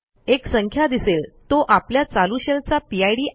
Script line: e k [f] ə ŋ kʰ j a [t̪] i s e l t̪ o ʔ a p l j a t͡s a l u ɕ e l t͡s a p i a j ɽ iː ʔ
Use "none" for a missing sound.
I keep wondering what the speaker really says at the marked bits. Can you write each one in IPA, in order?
s, d̪

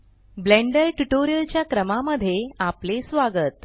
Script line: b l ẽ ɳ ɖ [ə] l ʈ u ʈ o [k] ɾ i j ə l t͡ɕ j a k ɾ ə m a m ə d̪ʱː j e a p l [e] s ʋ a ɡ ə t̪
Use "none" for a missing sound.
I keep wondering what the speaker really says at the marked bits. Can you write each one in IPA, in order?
ə, none, e

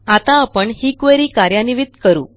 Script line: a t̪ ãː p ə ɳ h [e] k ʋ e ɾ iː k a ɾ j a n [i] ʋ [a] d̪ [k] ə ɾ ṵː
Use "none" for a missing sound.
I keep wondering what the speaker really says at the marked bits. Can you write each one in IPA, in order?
i, i, i, k

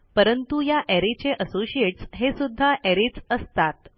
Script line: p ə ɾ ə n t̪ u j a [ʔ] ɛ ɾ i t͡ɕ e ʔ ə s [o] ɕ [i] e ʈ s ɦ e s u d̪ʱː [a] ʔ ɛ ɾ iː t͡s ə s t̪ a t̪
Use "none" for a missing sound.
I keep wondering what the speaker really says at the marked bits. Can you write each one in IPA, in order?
ʔ, o, i, a

